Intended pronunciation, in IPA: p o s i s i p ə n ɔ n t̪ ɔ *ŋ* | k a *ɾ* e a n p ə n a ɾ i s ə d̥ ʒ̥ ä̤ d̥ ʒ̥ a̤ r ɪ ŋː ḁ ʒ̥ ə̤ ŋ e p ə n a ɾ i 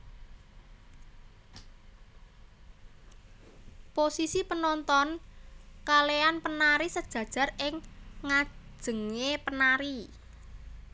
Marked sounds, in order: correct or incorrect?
incorrect, incorrect

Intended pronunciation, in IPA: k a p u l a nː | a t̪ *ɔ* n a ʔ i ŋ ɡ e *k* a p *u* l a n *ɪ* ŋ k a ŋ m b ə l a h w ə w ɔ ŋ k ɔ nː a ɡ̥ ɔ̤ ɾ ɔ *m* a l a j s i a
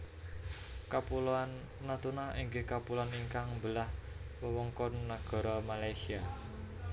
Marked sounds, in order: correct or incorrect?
incorrect, correct, correct, incorrect, correct

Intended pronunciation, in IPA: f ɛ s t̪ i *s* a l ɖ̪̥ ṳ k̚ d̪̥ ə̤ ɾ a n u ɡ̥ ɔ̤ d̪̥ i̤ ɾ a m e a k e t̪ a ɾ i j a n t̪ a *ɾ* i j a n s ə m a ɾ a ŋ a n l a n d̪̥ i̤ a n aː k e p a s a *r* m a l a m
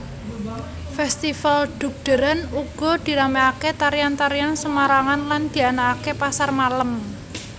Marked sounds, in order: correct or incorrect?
incorrect, correct, correct

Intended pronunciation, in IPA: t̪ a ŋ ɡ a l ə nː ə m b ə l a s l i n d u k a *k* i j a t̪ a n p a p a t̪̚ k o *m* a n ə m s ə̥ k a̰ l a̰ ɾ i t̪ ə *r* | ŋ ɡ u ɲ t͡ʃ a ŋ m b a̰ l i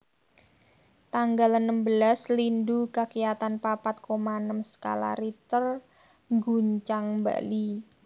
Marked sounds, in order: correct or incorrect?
correct, correct, correct

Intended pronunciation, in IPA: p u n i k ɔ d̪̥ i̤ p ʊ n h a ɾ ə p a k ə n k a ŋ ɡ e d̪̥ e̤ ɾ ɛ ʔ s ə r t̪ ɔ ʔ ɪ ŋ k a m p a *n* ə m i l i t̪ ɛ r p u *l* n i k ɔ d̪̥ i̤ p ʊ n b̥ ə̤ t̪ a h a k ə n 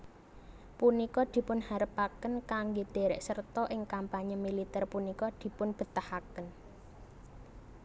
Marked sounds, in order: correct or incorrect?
incorrect, incorrect

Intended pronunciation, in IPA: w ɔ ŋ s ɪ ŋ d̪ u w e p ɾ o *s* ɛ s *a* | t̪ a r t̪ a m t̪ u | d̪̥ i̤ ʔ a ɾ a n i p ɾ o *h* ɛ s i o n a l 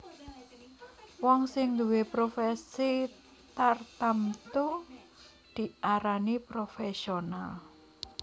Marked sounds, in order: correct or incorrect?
incorrect, incorrect, incorrect

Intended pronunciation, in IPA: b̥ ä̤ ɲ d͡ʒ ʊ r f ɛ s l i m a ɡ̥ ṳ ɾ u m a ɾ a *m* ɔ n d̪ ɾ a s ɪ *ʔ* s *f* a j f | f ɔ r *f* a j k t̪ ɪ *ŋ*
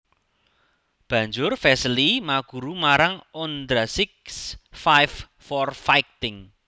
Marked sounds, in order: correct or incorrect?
incorrect, incorrect, correct, correct, correct

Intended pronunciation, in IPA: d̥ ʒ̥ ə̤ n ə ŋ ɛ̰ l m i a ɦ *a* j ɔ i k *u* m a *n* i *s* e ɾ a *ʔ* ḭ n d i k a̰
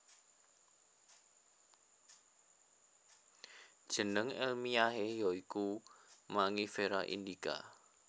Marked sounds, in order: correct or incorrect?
incorrect, correct, incorrect, incorrect, correct

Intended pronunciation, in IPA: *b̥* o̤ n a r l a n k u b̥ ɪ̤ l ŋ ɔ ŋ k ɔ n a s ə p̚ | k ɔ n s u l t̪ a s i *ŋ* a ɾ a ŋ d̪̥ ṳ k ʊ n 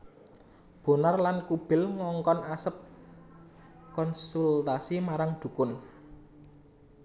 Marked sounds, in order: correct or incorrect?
correct, incorrect

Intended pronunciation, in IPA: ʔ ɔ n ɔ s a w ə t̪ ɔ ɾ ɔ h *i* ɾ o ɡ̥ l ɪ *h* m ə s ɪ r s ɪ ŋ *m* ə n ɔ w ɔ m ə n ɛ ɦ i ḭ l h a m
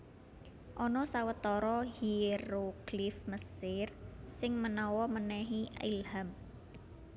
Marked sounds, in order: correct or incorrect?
correct, incorrect, correct

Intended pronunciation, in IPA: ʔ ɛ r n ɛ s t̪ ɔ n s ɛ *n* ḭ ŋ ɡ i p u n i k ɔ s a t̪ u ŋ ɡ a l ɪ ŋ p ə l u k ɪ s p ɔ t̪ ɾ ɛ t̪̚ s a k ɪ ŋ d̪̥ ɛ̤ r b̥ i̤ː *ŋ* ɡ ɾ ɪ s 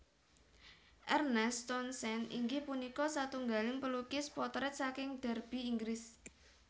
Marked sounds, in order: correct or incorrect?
correct, correct

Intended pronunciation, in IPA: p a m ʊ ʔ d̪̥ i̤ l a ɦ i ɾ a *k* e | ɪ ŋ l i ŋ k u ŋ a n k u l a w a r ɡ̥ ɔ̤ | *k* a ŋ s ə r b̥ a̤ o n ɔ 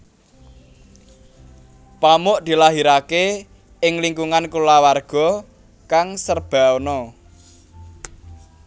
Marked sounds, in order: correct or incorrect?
correct, correct

